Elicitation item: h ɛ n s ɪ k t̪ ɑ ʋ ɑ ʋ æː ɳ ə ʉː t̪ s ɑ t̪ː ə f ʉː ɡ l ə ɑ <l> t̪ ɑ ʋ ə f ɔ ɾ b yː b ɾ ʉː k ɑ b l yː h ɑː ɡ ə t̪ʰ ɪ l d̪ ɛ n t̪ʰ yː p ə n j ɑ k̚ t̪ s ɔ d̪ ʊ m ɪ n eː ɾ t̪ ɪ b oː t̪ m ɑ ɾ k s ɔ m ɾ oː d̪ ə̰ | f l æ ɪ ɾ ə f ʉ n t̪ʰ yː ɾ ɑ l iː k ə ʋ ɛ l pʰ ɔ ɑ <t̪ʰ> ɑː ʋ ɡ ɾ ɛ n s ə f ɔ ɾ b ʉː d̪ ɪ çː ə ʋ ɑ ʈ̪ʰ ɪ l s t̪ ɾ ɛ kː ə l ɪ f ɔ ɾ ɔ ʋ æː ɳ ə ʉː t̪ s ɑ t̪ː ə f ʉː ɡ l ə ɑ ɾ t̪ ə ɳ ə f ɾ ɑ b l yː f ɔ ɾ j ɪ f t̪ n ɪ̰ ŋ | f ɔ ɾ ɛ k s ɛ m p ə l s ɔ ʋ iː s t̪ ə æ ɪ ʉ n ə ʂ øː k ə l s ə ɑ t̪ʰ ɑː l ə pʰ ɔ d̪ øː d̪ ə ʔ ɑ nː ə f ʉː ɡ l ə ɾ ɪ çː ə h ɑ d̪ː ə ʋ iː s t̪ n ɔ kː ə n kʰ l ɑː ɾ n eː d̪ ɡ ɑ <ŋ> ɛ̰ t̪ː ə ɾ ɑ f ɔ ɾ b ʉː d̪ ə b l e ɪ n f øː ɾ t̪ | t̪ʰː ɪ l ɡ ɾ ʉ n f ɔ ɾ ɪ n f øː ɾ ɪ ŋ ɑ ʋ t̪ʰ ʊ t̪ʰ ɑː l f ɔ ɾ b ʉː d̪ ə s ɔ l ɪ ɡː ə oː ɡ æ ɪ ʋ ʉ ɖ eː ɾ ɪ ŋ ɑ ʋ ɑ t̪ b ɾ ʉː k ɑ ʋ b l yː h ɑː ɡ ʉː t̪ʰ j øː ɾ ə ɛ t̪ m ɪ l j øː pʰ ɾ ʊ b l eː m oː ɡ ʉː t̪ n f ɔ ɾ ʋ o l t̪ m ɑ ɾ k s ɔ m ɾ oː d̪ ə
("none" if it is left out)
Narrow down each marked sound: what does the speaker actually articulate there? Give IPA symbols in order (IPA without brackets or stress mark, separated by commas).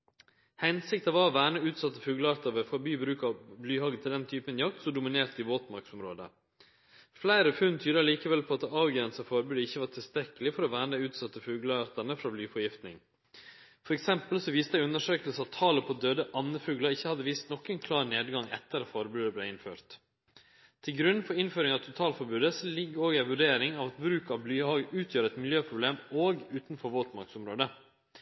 ɾ, t̪, ŋ